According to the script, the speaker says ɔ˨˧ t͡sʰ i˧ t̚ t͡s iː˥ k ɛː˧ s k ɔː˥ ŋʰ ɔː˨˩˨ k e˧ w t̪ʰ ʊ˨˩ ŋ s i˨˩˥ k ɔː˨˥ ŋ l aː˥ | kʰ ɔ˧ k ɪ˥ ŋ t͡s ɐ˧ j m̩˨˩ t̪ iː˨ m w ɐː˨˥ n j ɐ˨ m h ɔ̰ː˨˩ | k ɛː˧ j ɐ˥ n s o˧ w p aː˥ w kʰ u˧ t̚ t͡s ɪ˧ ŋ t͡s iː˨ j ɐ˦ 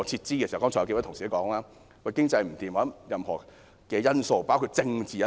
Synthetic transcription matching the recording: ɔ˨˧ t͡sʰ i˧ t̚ t͡s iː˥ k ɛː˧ s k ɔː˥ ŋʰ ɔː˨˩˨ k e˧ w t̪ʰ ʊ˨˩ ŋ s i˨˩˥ k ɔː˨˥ ŋ l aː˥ | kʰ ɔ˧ k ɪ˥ ŋ t͡s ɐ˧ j m̩˨˩ t̪ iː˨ m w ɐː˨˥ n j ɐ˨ m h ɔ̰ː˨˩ | k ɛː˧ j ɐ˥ n s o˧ w p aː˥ w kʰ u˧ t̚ t͡s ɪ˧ ŋ t͡s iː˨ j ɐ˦